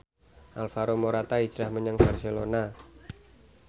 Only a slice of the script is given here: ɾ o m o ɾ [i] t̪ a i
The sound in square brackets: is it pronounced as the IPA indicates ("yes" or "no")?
no